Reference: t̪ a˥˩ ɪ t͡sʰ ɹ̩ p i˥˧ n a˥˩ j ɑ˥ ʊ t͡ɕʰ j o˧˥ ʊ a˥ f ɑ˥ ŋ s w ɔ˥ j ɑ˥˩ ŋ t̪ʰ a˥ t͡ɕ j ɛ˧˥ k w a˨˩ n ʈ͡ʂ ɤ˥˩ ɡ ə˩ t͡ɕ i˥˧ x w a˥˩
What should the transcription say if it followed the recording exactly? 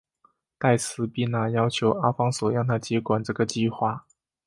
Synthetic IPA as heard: t̪ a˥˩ ɪ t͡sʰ ɹ̩ p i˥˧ n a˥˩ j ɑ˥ ʊ t͡ɕʰ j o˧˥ ʊ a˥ f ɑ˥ ŋ s w ɔ˨˩ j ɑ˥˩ ŋ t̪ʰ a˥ t͡ɕ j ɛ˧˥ k w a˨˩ n ʈ͡ʂ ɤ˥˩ ɡ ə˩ t͡ɕ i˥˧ x w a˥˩